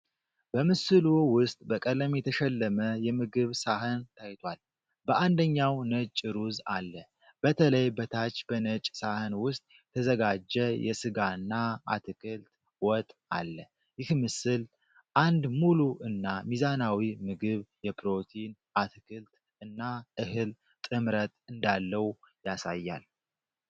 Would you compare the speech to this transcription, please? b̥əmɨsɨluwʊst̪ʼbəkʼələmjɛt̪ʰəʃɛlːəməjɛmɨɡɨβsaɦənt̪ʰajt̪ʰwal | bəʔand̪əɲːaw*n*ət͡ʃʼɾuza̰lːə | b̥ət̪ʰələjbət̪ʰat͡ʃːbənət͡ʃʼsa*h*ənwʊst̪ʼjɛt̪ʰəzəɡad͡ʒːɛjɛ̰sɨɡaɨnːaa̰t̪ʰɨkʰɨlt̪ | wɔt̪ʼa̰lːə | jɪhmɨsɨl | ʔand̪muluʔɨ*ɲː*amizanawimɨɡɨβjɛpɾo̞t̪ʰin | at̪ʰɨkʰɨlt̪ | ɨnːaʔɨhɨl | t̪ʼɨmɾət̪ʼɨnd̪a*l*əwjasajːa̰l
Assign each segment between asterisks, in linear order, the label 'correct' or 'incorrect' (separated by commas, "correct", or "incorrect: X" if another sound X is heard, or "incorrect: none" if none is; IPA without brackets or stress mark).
correct, correct, incorrect: nː, incorrect: lː